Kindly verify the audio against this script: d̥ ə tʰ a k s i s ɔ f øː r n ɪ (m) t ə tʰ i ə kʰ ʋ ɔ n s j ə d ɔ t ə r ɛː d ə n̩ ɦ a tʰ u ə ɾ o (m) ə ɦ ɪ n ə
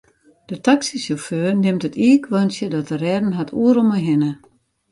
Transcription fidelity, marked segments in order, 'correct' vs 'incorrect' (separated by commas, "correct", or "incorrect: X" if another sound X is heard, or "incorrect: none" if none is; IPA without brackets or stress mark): correct, correct